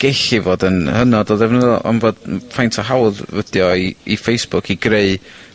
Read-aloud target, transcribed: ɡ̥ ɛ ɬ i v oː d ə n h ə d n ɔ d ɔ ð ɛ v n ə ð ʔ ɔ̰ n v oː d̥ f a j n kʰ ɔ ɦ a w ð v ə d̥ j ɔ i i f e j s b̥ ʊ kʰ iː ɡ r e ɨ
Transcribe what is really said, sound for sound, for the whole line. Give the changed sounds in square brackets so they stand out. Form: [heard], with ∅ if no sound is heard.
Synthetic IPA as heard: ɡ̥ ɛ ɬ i v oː d ə n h ə [∅] n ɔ d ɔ ð ɛ v n ə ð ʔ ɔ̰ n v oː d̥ f a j n [tʰ] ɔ ɦ a w ð v ə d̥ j ɔ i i f e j s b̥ ʊ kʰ [i] ɡ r e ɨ